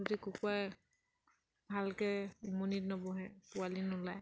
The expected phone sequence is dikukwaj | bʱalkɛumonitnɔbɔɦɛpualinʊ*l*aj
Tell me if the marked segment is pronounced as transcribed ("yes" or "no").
yes